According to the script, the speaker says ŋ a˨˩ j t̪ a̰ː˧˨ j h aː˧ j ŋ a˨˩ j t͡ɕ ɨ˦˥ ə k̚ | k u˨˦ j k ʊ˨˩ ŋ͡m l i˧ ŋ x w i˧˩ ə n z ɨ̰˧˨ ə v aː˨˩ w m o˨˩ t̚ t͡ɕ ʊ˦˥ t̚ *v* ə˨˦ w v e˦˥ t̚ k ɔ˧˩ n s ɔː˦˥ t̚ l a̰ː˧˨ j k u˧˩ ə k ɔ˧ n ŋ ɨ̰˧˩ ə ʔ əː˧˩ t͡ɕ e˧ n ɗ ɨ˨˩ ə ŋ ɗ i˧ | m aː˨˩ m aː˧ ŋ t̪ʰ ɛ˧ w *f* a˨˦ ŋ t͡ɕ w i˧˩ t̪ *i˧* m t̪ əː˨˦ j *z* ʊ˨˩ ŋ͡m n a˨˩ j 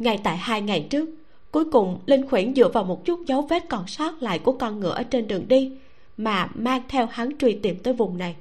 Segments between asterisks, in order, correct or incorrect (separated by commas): incorrect, incorrect, incorrect, incorrect